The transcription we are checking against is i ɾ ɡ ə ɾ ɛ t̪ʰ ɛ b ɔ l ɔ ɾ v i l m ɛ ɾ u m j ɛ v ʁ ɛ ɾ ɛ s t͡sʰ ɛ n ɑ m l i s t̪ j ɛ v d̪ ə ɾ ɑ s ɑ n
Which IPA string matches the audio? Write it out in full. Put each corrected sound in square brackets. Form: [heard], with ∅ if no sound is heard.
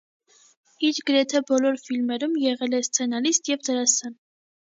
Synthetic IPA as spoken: i ɾ ɡ ə ɾ ɛ t̪ʰ ɛ b ɔ l ɔ ɾ [f] i l m ɛ ɾ u m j ɛ [∅] ʁ ɛ [l] ɛ s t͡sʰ ɛ n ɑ [∅] l i s t̪ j ɛ v d̪ ə ɾ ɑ s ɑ n